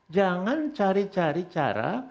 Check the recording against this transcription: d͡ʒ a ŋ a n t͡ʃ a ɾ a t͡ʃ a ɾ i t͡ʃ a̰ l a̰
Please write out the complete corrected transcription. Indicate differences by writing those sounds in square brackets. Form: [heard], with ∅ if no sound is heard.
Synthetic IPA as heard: d͡ʒ a ŋ a n t͡ʃ a ɾ [i] t͡ʃ a ɾ i t͡ʃ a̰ [ɾ] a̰